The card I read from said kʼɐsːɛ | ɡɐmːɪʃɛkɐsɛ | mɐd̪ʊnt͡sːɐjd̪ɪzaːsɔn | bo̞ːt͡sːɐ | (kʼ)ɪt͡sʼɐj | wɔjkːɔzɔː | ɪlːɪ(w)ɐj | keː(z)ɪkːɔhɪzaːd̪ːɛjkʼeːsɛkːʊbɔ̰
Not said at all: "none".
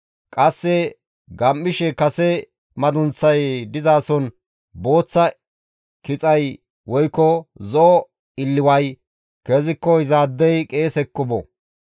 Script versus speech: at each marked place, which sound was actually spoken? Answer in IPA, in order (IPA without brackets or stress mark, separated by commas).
k, w, z